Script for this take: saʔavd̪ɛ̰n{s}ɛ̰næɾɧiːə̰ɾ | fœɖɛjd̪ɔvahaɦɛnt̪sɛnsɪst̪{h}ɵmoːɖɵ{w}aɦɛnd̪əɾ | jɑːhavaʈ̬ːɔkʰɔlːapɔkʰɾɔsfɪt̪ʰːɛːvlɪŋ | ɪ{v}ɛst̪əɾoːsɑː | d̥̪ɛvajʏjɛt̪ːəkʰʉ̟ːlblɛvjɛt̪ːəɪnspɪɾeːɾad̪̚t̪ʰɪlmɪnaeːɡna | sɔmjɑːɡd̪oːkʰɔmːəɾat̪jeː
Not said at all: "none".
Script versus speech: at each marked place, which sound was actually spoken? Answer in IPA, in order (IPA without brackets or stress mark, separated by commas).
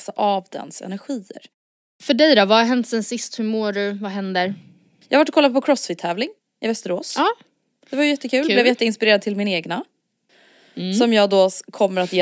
s, h, v, v